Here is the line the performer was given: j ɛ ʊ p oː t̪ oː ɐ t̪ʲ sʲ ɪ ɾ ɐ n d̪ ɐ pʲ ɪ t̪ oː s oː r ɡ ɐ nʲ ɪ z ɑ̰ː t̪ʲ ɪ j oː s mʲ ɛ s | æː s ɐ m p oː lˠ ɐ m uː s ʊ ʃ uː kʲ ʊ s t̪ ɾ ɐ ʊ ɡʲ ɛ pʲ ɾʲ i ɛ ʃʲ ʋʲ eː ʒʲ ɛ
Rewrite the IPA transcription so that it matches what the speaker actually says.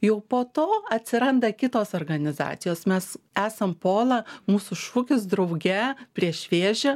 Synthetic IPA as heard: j ɛ ʊ p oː t̪ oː ɐ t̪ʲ sʲ ɪ ɾ ɐ n d̪ ɐ kʲ ɪ t̪ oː s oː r ɡ ɐ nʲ ɪ z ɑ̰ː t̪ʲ ɪ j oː s mʲ ɛ s | æː s ɐ m p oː lˠ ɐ m uː s ʊ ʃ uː kʲ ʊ s d̪ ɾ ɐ ʊ ɡʲ ɛ pʲ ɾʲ i ɛ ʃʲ ʋʲ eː ʒʲ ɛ

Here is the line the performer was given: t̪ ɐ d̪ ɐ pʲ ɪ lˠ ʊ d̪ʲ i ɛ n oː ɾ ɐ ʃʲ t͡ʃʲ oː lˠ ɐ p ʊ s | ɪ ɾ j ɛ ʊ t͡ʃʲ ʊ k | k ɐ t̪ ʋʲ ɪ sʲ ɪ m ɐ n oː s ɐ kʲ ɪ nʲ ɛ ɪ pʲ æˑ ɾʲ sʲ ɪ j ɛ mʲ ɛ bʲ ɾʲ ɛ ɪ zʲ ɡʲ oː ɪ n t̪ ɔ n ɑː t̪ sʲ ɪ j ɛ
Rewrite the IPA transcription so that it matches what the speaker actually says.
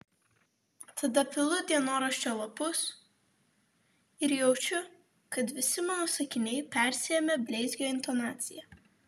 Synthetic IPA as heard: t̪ ɐ d̪ ɐ pʲ ɪ lˠ ʊ d̪ʲ i ɛ n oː ɾ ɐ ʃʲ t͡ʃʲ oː lˠ ɐ p ʊ s | ɪ ɾ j ɛ ʊ t͡ʃʲ ʊ | k ɐ t̪ ʋʲ ɪ sʲ ɪ m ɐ n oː s ɐ kʲ ɪ nʲ ɛ ɪ pʲ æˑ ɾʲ sʲ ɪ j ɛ mʲ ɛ bʲ lʲ ɛ ɪ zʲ ɡʲ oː ɪ n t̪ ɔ n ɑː t̪ sʲ ɪ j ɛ

